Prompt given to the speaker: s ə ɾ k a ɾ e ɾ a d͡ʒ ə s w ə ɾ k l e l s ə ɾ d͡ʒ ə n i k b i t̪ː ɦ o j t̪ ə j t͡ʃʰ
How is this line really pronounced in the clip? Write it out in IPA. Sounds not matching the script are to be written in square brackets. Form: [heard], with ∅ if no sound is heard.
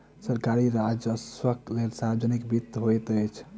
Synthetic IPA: s ə ɾ k a ɾ [i] ɾ a d͡ʒ ə s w ə [∅] k l e l s [a] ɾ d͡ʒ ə n i k b i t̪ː ɦ o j t̪ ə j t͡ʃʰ